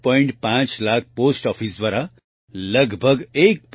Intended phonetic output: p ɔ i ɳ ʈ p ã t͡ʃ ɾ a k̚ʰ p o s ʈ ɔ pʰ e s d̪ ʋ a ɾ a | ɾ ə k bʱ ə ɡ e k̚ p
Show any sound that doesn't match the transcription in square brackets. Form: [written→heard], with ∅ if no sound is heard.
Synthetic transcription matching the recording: p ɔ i ɳ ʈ p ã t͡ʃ [ɾ→l] a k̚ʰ p o s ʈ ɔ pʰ [e→i] s d̪ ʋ a ɾ a | [ɾ→l] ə [k→ɡ] bʱ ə ɡ e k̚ p